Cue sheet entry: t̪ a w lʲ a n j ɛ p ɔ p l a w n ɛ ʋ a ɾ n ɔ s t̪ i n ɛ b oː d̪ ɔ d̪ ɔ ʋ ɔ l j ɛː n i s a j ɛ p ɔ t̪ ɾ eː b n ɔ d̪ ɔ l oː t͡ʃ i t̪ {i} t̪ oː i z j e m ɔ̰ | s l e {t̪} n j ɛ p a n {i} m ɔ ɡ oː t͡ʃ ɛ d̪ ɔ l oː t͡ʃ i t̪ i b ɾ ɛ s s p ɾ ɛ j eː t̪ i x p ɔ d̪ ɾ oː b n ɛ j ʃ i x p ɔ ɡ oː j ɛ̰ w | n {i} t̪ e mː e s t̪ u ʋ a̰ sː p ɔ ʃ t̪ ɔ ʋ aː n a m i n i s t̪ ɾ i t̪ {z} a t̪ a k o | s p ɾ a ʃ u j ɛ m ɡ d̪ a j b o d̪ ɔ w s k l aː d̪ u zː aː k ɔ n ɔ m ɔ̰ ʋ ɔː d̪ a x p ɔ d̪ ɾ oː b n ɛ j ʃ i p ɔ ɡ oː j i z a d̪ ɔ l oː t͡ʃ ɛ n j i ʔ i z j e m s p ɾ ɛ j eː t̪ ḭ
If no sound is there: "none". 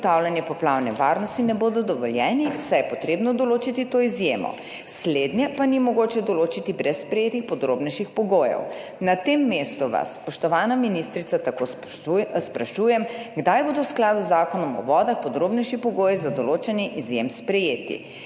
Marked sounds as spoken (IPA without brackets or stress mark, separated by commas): i, d̪, i, a, s